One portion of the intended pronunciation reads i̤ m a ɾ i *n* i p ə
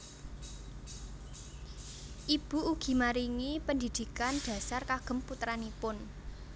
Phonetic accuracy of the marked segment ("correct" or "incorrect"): incorrect